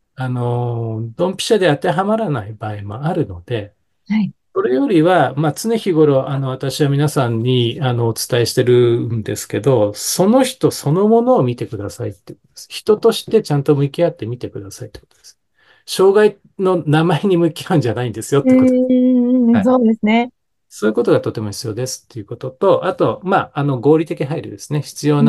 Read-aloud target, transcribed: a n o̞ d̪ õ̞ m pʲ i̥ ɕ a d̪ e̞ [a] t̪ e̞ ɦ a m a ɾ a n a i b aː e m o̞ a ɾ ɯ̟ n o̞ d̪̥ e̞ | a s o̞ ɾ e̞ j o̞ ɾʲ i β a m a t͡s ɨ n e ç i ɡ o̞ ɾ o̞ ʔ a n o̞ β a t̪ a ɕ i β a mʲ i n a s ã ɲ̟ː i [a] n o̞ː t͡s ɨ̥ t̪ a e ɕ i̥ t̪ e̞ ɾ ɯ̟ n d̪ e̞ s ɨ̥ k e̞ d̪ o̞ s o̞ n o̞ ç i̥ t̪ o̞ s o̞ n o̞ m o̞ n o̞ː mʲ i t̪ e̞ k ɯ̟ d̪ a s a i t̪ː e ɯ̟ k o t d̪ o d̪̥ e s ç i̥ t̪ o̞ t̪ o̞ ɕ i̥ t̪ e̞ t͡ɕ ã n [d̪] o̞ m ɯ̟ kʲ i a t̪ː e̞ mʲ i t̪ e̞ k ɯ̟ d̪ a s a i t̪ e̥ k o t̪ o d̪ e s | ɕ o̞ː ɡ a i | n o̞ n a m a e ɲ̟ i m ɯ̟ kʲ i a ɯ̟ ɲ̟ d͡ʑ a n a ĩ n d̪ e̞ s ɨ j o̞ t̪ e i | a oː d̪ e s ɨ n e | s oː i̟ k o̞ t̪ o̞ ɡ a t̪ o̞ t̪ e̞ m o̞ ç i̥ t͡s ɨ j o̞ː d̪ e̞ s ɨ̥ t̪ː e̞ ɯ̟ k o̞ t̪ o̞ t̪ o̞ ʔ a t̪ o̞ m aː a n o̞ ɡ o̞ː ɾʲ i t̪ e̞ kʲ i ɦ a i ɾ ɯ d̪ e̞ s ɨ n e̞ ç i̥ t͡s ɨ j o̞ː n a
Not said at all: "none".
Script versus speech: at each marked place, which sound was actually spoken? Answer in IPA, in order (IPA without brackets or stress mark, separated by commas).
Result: a, a, t̪